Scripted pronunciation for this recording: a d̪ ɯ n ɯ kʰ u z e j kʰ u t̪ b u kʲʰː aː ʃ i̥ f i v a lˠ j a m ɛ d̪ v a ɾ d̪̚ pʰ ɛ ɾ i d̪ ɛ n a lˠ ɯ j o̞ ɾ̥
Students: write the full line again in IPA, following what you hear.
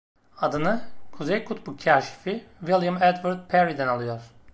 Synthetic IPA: a d̪ ɯ n ɯ kʰ u z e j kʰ u t̪ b u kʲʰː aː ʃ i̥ f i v i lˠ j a m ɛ d̪ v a ɾ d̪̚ pʰ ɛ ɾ i d̪ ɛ n a lˠ ɯ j o̞ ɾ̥